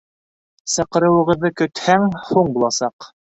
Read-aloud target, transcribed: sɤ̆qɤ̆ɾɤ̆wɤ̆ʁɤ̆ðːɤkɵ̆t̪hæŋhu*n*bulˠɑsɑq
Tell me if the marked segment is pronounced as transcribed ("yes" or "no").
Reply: no